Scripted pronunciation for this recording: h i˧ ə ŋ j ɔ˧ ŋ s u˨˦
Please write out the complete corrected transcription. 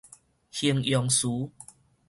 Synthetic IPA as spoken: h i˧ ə ŋ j ɔ˧ ŋ s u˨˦

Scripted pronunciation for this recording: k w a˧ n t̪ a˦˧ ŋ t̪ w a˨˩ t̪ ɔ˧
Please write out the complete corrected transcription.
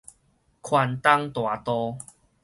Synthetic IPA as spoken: kʰ w a˧ n t̪ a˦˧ ŋ t̪ w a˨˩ t̪ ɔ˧

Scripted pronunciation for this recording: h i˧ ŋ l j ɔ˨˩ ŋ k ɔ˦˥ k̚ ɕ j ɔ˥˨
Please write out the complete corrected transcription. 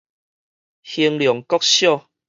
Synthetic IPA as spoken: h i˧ ŋ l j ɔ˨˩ ŋ k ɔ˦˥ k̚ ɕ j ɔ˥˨

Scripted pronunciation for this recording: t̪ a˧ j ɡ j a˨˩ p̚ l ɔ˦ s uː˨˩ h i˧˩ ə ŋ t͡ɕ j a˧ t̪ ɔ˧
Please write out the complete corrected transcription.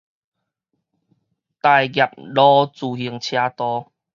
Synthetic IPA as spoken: t̪ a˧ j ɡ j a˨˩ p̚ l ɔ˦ t͡s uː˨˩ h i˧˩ ə ŋ t͡ɕʰ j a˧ t̪ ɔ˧

